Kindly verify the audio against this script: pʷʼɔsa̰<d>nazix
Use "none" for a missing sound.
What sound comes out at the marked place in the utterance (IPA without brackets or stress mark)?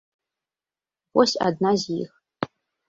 d